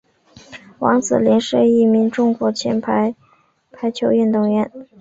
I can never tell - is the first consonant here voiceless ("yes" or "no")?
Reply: no